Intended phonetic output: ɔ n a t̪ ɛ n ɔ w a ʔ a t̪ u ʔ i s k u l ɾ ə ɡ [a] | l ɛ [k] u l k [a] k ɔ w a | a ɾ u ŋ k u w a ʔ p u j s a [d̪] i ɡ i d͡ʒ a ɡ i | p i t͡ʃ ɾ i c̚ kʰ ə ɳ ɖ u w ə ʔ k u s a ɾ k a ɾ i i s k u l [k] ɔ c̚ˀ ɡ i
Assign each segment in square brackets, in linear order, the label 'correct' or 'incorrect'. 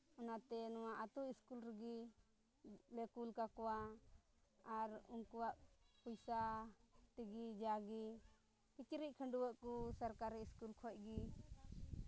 incorrect: i, correct, correct, incorrect: t̪, incorrect: kʰ

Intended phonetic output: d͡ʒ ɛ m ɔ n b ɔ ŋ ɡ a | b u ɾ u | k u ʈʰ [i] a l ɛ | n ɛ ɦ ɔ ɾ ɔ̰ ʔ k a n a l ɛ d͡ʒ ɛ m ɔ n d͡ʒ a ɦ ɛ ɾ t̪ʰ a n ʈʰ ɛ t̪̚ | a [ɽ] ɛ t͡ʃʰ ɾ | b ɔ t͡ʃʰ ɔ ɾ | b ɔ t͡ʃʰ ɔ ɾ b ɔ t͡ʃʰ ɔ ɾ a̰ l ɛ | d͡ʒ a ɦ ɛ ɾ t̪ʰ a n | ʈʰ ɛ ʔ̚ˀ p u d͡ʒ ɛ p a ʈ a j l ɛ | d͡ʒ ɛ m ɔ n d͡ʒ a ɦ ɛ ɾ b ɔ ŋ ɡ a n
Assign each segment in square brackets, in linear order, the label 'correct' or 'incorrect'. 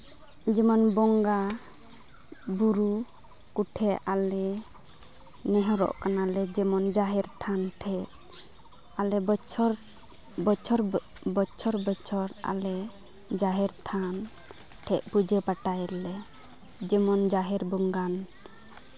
incorrect: ɛ, incorrect: l

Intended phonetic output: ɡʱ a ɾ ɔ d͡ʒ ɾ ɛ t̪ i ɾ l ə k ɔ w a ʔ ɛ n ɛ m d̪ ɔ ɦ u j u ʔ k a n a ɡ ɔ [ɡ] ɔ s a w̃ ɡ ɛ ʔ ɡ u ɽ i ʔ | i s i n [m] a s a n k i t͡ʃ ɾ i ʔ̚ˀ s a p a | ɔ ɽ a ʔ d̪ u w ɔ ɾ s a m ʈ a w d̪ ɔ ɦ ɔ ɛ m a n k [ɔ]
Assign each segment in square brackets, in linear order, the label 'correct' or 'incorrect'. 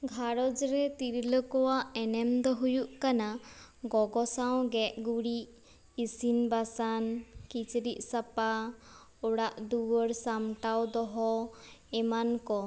correct, incorrect: b, correct

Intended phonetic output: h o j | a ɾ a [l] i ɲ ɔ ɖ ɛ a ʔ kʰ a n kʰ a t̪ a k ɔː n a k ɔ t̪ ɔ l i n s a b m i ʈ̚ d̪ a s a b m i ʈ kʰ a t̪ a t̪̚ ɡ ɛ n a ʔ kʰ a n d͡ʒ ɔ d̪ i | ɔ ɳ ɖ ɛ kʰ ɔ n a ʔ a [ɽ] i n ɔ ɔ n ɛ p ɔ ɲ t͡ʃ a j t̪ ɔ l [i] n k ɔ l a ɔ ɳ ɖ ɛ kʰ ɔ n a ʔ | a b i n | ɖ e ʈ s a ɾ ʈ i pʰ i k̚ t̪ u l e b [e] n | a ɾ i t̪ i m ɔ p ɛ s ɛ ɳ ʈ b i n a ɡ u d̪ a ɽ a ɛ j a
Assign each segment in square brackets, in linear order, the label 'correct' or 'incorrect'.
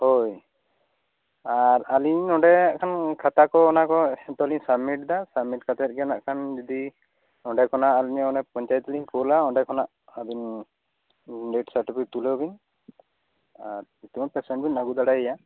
correct, incorrect: l, correct, incorrect: i

